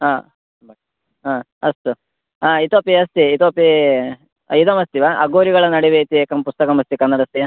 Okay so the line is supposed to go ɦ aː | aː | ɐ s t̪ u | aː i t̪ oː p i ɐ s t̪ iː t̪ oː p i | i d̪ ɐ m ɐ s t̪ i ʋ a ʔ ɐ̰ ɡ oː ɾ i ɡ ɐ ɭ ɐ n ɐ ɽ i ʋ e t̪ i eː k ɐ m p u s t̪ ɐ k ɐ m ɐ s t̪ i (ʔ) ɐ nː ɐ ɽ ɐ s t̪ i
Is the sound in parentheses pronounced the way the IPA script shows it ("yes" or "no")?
no